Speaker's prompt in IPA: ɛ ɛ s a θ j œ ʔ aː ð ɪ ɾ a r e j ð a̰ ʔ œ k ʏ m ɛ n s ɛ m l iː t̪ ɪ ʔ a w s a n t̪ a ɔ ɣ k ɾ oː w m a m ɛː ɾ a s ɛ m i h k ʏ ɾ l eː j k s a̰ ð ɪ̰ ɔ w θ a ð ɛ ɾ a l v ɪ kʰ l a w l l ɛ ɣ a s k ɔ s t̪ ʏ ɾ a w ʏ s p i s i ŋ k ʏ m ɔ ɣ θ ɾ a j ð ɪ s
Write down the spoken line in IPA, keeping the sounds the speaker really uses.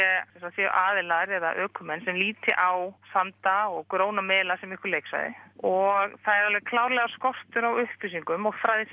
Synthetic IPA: ɛ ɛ s a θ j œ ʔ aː ð ɪ l a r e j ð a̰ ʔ œː k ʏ m ɛ n s ɛ m l iː t̪ ɪ ʔ a w s a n t̪ a ɔ ɣ k ɾ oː w n a m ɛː l a s ɛ m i h k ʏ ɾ l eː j k s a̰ ð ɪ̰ ɔ ɣ θ a ð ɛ ɾ a l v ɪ kʰ l a w ɾ l ɛ ɣ a s k ɔ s t̪ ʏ ɾ a w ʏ h p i s i ŋ k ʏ m ɔ ɣ f ɾ a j ð ɪ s